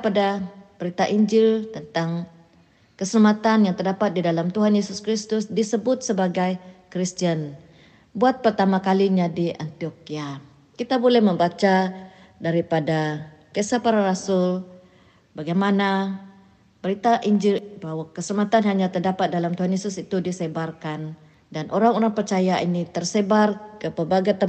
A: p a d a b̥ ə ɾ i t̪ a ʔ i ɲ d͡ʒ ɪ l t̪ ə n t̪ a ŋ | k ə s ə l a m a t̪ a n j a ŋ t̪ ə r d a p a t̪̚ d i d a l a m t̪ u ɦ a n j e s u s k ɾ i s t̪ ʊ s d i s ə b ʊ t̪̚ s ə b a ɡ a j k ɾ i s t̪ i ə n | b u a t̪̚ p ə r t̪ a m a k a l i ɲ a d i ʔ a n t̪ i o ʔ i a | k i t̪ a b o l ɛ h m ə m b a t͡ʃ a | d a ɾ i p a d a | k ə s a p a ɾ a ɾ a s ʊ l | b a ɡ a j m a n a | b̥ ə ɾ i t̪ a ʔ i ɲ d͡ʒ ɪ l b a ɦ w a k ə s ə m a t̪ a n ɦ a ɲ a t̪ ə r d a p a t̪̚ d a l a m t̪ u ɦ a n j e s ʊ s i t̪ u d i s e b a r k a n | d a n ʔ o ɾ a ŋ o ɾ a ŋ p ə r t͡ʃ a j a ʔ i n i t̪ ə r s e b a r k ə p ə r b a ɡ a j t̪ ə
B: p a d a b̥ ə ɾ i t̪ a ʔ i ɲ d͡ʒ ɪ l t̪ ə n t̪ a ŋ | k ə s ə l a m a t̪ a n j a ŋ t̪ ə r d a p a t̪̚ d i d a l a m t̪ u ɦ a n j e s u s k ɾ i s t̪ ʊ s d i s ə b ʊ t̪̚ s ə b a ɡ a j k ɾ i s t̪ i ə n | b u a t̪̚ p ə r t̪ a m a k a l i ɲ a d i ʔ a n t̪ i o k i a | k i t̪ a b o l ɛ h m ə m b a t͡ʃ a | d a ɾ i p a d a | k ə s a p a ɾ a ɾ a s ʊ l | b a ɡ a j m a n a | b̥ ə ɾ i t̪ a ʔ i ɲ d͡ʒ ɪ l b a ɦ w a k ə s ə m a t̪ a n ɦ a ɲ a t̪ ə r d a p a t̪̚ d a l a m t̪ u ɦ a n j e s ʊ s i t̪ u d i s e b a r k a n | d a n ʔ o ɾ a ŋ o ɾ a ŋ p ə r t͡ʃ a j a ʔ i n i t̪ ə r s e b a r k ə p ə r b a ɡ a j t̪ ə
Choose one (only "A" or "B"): B